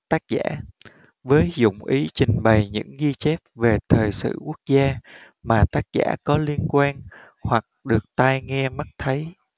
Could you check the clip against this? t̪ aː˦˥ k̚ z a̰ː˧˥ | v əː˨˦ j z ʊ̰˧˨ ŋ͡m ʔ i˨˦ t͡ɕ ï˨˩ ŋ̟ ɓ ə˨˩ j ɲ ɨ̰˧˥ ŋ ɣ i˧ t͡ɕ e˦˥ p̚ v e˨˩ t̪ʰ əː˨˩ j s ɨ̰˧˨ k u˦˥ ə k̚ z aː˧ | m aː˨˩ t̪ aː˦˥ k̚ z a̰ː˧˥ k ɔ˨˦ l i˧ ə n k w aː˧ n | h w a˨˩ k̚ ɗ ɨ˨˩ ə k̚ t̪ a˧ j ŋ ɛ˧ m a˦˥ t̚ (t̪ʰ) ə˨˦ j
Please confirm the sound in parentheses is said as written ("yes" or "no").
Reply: yes